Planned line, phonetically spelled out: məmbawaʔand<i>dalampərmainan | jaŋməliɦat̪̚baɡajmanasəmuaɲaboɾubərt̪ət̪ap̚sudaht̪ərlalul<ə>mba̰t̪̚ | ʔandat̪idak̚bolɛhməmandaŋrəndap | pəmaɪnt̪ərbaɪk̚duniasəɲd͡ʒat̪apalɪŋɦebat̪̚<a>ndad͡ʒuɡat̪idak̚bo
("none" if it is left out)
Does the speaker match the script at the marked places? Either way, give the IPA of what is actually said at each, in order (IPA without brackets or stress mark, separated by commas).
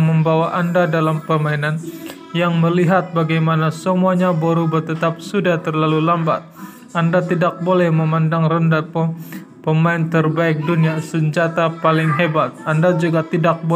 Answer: a, a, a